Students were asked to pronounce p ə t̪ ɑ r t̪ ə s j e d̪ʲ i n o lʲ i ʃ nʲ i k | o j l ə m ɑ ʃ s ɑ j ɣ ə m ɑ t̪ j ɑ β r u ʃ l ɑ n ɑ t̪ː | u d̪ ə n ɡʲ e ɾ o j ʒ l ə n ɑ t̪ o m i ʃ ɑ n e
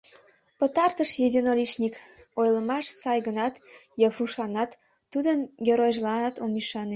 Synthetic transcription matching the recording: p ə t̪ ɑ r t̪ ə ʃ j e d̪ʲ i n o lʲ i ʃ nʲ i k | o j l ə m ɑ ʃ s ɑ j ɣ ə n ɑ t̪ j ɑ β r u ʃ l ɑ n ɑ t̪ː | u d̪ ə n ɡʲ e ɾ o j ʒ l ɑ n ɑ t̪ o m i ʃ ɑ n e